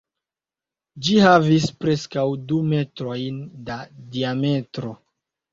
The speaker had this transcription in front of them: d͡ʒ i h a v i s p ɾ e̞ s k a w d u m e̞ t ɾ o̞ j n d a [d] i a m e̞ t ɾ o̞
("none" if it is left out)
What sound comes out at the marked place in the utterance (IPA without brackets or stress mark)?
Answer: d